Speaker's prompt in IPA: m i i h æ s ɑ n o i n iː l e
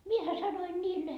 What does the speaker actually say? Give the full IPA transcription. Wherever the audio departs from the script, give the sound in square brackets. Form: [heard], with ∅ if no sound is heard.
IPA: m i [e] h æ s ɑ n o i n iː [lː] e